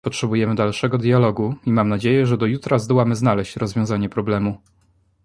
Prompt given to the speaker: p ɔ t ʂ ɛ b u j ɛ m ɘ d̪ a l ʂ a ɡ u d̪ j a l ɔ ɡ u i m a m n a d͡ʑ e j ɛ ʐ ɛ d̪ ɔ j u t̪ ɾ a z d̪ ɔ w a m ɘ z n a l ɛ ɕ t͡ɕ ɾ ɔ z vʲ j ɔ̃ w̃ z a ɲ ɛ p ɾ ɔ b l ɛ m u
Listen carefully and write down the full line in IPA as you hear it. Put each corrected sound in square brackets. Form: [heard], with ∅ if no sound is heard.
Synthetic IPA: p ɔ t ʂ ɛ b u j ɛ m ɘ d̪ a l ʂ [ɛ] ɡ [ɔ] d̪ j a l ɔ ɡ u i m a m n a d͡ʑ e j ɛ ʐ ɛ d̪ ɔ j u t̪ ɾ a z d̪ ɔ w a m ɘ z n a l ɛ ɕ t͡ɕ ɾ ɔ z vʲ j ɔ̃ w̃ z a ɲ ɛ p ɾ ɔ b l ɛ m u

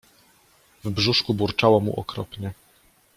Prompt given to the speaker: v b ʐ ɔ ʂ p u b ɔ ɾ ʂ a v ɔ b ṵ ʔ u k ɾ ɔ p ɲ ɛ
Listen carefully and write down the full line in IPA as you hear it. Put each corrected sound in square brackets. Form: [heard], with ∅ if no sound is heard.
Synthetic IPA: v b ʐ [u] ʂ [k] u b [u] ɾ [t͡ʂ] a [w] ɔ [m] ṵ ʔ [ɔ] k ɾ ɔ p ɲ ɛ

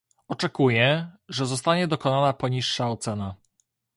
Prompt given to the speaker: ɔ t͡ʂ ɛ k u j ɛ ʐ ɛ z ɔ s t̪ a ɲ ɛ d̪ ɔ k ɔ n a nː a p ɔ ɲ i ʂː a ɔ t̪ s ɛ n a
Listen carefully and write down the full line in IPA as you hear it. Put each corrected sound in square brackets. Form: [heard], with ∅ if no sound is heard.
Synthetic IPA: ɔ t͡ʂ ɛ k u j ɛ ʐ ɛ z ɔ s t̪ a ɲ ɛ d̪ ɔ k ɔ n a [n] a p ɔ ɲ i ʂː a ɔ t̪ s ɛ n a

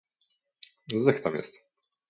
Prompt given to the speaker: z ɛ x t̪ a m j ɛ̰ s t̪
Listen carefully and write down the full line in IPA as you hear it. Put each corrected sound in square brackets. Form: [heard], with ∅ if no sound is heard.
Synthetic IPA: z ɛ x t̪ a m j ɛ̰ s t̪

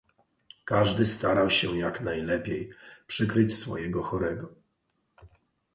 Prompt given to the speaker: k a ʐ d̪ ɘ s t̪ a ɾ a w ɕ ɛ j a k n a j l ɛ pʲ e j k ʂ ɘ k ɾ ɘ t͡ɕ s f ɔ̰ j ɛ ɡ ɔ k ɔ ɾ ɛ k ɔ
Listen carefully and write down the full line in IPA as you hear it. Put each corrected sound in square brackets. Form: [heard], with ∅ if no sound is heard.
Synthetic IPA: k a ʐ d̪ ɘ s t̪ a ɾ a w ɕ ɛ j a k n a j l ɛ pʲ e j [p] ʂ ɘ k ɾ ɘ t͡ɕ s f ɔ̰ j ɛ ɡ ɔ [x] ɔ ɾ ɛ [ɡ] ɔ

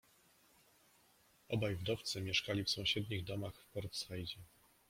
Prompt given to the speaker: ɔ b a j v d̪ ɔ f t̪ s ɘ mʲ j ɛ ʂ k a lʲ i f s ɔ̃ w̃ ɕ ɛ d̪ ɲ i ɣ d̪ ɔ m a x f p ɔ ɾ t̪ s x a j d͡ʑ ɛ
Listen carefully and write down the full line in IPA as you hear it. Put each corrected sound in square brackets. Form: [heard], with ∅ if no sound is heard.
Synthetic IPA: ɔ b a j v d̪ ɔ f t̪ s ɘ mʲ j ɛ ʂ k a lʲ i f s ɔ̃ w̃ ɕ ɛ d̪ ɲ i ɣ d̪ ɔ m a x f p ɔ ɾ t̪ s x a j d͡ʑ ɛ

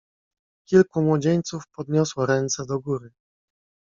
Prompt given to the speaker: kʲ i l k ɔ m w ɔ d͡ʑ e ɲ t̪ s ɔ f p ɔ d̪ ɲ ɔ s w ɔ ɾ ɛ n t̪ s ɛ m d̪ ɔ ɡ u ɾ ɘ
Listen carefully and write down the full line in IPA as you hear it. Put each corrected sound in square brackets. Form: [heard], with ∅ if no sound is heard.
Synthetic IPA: kʲ i l k [u] m w ɔ d͡ʑ e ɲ t̪ s [u] f p ɔ d̪ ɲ ɔ s w ɔ ɾ ɛ n t̪ s ɛ [∅] d̪ ɔ ɡ u ɾ ɘ

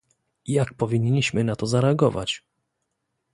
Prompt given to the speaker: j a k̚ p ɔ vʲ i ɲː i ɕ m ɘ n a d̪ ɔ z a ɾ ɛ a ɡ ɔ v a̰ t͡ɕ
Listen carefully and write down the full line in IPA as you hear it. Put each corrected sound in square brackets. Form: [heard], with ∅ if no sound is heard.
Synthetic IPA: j a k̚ p ɔ vʲ i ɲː i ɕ m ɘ n a [t̪] ɔ z a ɾ ɛ a ɡ ɔ v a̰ t͡ɕ

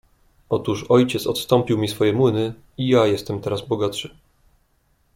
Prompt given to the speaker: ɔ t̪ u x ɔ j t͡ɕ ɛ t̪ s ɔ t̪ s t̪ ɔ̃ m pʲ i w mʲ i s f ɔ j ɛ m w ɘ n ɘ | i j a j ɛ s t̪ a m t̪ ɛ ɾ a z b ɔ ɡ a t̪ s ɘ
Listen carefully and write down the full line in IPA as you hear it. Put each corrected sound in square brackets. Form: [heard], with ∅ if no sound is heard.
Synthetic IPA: ɔ t̪ u [ʂ] ɔ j t͡ɕ ɛ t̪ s ɔ t̪ s t̪ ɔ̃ m pʲ i w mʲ i s f ɔ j ɛ m w ɘ n ɘ | i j a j ɛ s t̪ [ɛ] m t̪ ɛ ɾ a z b ɔ ɡ a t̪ [ʂ] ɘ

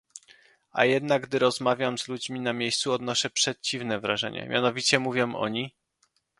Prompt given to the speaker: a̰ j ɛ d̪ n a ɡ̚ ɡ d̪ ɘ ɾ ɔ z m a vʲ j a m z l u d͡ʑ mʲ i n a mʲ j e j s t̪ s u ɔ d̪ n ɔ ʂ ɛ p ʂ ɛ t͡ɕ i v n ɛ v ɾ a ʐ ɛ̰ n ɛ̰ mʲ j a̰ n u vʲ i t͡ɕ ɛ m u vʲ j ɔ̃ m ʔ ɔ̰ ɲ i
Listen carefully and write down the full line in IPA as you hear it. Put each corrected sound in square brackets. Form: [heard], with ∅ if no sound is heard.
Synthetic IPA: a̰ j ɛ d̪ n a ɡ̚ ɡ d̪ ɘ ɾ ɔ z m a vʲ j a m z l u d͡ʑ mʲ i n a mʲ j e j s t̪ s u ɔ d̪ n ɔ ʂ ɛ p ʂ ɛ t͡ɕ i v n ɛ v ɾ a ʐ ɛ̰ [ɲ] ɛ̰ mʲ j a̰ n [ɔ] vʲ i t͡ɕ ɛ m u vʲ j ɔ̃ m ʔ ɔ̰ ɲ i

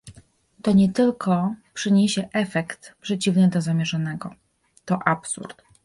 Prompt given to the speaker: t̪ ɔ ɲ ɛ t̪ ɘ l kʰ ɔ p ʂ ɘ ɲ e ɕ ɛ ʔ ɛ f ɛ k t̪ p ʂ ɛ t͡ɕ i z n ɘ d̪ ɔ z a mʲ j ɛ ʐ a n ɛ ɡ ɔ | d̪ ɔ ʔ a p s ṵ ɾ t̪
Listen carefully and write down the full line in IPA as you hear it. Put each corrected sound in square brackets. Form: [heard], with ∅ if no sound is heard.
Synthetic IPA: t̪ ɔ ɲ ɛ t̪ ɘ l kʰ ɔ p ʂ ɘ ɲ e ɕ ɛ ʔ ɛ f ɛ k t̪ p ʂ ɛ t͡ɕ i [v] n ɘ d̪ ɔ z a mʲ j ɛ ʐ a n ɛ ɡ ɔ | [t̪] ɔ ʔ a p s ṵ ɾ t̪

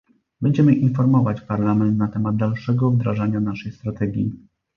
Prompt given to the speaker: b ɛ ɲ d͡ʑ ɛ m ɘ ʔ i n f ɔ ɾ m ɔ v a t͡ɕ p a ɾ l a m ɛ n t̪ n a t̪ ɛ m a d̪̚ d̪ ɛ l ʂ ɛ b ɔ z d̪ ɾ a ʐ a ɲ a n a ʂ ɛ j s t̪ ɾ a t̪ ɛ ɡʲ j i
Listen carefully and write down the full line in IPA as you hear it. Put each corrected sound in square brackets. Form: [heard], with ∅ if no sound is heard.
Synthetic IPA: b ɛ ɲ d͡ʑ ɛ m ɘ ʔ i n f ɔ ɾ m ɔ v a t͡ɕ p a ɾ l a m ɛ n t̪ n a t̪ ɛ m a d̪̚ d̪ [a] l ʂ ɛ [ɡ] ɔ [v] d̪ ɾ a ʐ a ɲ a n a ʂ ɛ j s t̪ ɾ a t̪ ɛ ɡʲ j i

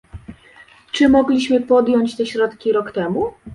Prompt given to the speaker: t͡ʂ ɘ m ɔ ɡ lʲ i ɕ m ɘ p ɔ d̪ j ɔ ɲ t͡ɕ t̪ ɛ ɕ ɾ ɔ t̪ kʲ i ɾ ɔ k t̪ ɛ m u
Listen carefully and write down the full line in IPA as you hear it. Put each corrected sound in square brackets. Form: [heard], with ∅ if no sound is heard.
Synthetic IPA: t͡ʂ ɘ m ɔ ɡ lʲ i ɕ m ɘ p ɔ d̪ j ɔ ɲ t͡ɕ t̪ ɛ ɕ ɾ ɔ t̪ kʲ i ɾ ɔ k t̪ ɛ m u

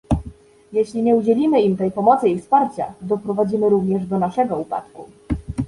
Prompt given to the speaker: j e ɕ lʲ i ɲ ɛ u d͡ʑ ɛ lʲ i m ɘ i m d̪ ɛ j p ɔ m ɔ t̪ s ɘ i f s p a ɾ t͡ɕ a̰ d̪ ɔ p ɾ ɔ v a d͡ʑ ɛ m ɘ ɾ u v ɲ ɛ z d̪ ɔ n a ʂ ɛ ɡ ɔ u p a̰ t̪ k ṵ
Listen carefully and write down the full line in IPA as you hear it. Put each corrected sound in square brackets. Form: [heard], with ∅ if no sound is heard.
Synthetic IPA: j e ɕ lʲ i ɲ ɛ u d͡ʑ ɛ lʲ i m ɘ i m [t̪] ɛ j p ɔ m ɔ t̪ s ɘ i f s p a ɾ t͡ɕ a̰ d̪ ɔ p ɾ ɔ v a d͡ʑ [i] m ɘ ɾ u v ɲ ɛ [ʐ] d̪ ɔ n a ʂ ɛ ɡ ɔ u p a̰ t̪ k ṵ

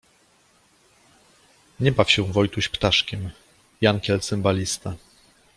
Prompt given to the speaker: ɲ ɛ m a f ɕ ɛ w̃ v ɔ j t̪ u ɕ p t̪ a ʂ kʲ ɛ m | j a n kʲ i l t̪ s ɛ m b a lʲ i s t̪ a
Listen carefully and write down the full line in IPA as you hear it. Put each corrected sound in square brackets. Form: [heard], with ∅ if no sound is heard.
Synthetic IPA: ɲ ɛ [b] a f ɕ ɛ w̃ v ɔ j t̪ u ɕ p t̪ a ʂ kʲ ɛ m | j a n kʲ [ɛ] l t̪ s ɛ m b a lʲ i s t̪ a

